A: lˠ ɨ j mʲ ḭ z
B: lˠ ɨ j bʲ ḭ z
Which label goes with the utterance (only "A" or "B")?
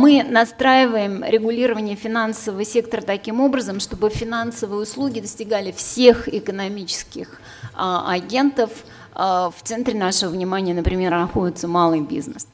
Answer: B